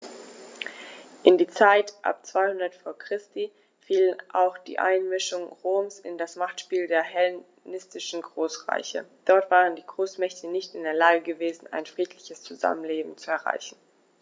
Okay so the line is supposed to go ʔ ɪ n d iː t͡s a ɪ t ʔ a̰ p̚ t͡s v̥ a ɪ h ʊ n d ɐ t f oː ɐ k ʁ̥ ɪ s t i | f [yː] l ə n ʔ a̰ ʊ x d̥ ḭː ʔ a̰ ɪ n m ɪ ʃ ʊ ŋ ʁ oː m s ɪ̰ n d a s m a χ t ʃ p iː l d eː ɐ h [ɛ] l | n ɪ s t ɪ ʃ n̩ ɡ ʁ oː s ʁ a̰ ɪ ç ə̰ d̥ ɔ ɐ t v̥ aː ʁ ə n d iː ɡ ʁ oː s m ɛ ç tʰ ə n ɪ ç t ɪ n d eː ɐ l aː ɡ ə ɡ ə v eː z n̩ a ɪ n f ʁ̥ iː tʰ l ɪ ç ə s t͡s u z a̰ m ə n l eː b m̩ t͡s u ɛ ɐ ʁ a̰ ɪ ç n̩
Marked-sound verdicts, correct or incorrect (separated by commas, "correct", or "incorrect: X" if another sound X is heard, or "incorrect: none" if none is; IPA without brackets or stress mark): incorrect: iː, correct